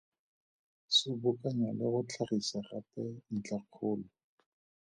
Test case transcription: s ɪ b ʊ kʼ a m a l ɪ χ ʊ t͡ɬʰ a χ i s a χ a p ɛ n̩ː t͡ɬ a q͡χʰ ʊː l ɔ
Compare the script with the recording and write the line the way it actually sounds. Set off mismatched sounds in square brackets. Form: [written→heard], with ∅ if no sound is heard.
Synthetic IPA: s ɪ b ʊ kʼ a [m→ɲ] a l ɪ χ ʊ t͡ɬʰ a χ i s a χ a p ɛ [n̩ː→n̩] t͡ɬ a q͡χʰ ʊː l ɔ